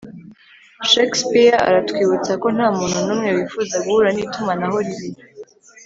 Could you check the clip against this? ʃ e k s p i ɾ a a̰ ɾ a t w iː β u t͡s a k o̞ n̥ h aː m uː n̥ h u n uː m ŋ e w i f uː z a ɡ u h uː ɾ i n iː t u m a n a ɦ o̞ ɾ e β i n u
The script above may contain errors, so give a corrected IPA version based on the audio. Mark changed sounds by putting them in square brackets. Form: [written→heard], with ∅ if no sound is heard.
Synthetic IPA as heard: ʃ e k s p i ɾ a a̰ ɾ a t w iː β u t͡s a k o̞ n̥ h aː m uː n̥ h u n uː m ŋ e w i f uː z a ɡ u h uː ɾ [i→a] n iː t u m a n a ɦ o̞ ɾ [e→i] β i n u